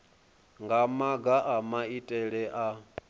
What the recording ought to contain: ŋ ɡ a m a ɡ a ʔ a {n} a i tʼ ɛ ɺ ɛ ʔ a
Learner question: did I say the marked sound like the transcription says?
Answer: no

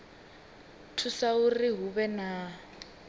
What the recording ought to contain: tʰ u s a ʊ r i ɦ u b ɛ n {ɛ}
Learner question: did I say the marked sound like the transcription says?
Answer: no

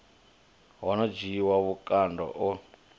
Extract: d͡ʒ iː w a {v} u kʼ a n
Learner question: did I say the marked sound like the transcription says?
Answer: no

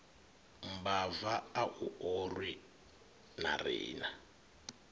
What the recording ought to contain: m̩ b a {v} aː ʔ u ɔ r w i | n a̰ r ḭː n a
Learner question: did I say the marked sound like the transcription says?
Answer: yes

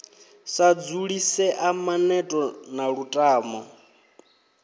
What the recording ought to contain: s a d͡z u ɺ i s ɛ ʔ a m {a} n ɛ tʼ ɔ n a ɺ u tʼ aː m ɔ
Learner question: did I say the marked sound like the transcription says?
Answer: yes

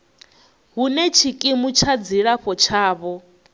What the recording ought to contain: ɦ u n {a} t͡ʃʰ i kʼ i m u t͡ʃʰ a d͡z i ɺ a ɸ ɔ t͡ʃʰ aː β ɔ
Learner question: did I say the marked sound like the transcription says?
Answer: no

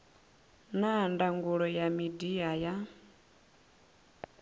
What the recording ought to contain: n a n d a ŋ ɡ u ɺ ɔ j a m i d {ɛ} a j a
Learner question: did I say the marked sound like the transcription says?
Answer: no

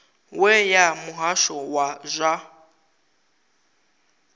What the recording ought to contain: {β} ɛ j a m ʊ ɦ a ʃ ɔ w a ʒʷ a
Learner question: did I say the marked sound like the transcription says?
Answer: no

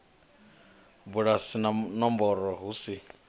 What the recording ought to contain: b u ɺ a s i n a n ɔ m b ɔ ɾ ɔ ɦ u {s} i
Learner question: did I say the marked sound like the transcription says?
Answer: yes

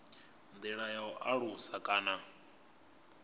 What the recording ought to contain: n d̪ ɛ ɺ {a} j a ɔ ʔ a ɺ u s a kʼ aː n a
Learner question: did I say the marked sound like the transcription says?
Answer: yes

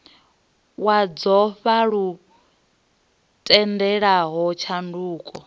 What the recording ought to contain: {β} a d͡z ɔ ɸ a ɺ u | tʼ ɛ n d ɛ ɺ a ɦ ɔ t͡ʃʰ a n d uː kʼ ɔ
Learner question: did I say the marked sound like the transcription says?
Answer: no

